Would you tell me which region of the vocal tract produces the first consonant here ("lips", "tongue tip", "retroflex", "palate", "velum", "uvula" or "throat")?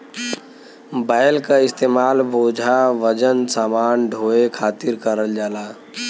lips